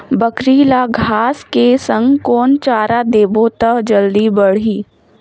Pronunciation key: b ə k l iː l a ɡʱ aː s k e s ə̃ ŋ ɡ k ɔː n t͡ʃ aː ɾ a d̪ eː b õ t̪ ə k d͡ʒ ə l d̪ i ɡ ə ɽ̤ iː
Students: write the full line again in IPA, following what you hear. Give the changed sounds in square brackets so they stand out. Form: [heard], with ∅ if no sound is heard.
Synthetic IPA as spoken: b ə k [ɾ] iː l a ɡʱ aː s k e s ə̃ ŋ ɡ k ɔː n t͡ʃ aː ɾ a d̪ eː b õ t̪ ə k d͡ʒ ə l d̪ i [b] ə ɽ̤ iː